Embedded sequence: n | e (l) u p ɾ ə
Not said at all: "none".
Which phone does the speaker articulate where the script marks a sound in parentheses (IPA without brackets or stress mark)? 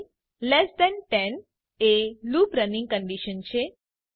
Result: l